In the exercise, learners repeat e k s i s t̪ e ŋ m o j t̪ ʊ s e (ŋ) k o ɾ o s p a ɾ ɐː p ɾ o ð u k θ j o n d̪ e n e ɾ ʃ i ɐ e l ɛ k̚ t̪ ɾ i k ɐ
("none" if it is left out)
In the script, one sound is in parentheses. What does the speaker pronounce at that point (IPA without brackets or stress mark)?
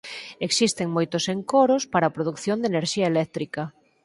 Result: ŋ